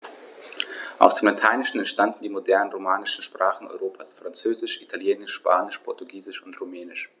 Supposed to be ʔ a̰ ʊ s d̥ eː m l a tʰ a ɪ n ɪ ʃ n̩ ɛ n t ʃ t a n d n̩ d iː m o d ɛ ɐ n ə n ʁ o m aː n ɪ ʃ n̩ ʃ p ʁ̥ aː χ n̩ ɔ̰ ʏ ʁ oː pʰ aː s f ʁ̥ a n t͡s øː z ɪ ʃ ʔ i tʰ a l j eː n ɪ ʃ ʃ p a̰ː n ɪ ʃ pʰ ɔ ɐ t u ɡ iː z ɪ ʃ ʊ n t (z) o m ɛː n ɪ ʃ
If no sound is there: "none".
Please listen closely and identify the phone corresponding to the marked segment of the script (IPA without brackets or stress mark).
ʁ